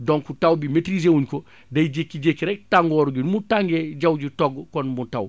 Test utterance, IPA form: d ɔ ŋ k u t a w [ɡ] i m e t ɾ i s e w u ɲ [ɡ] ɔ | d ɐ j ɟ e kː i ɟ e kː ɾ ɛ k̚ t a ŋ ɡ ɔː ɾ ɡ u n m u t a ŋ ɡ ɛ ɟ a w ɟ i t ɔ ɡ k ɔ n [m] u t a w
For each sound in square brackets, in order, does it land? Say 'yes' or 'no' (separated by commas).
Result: no, no, yes